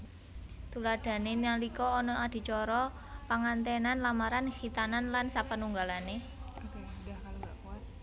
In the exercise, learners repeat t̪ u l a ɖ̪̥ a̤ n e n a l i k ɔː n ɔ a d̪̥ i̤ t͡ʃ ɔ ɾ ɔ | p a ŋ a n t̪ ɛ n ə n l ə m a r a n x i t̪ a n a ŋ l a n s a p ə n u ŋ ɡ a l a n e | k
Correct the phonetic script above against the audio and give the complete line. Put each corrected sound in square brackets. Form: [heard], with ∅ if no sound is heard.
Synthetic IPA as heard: t̪ u l a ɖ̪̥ a̤ n e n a l i k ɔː n ɔ a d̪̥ i̤ t͡ʃ ɔ ɾ ɔ | p a ŋ a n t̪ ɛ n [a] n l [a] m a [ɾ] a n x i t̪ a n a [n] l a n s a p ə n u ŋ ɡ a l a n e | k